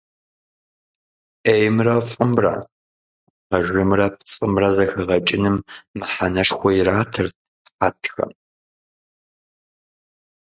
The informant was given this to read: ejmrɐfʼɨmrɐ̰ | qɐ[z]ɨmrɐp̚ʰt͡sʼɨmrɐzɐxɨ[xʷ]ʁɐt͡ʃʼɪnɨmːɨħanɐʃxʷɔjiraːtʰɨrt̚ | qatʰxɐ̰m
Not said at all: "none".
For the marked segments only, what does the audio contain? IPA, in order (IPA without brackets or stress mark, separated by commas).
ʒ, none